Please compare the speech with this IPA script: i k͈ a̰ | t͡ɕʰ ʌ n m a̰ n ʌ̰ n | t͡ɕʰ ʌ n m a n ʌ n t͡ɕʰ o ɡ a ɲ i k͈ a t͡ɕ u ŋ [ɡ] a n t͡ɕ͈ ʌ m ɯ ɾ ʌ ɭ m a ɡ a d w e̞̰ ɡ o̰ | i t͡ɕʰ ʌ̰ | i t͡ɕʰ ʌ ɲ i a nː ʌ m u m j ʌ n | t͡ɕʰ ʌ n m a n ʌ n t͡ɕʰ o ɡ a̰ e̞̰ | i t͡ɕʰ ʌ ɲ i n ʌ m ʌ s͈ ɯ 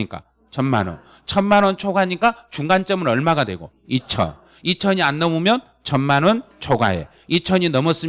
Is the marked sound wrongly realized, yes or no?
no